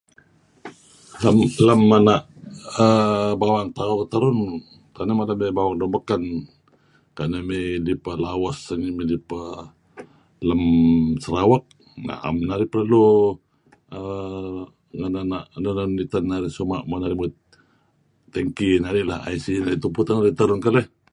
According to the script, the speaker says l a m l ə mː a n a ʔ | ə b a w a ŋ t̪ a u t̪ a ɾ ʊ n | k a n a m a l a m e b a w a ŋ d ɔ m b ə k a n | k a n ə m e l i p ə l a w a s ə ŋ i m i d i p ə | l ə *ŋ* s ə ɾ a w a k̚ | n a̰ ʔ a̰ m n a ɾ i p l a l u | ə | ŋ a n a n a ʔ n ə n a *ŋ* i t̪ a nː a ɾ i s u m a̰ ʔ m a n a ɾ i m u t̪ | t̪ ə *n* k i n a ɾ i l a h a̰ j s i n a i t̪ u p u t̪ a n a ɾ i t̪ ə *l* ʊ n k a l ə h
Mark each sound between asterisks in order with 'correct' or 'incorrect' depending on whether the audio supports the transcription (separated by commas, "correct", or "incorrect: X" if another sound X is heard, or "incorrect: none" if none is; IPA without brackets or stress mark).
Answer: incorrect: m, incorrect: n, incorrect: ŋ, incorrect: ɾ